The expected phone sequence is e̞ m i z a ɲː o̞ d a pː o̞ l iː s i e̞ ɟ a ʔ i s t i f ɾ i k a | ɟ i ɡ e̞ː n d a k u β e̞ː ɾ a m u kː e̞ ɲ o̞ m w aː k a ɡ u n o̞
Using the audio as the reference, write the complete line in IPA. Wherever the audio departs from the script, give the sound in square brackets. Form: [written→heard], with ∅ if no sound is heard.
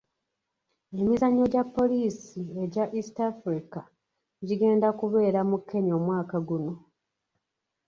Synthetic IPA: e̞ m i z a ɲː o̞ [d→ɟ] a pː o̞ l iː s i e̞ ɟ a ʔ i s t [i→a] f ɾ i k a | ɟ i ɡ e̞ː n d a k u β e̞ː ɾ a m u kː e̞ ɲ o̞ m w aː k a ɡ u n o̞